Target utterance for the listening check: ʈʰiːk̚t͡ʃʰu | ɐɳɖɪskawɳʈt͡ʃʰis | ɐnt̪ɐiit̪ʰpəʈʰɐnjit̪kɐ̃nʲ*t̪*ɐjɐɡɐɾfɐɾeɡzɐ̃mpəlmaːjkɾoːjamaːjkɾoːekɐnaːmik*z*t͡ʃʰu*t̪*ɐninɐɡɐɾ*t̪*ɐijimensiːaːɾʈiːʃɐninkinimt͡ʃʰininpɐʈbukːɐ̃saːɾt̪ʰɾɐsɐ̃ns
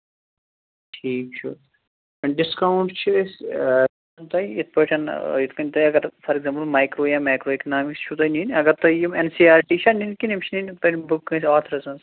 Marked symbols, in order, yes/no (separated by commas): yes, no, yes, yes